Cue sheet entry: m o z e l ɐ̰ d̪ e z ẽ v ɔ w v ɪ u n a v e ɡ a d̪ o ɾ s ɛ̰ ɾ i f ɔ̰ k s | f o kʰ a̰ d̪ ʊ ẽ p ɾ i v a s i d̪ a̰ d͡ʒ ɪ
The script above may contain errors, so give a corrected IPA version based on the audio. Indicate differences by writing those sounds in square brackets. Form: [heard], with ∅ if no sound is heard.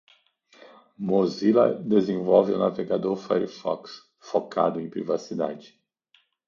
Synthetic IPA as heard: m o z [i] l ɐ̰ d̪ e z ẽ v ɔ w v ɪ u n a v e ɡ a d̪ o ɾ [f] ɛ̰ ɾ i f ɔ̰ k s | f o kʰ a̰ d̪ ʊ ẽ p ɾ i v a s i d̪ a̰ d͡ʒ ɪ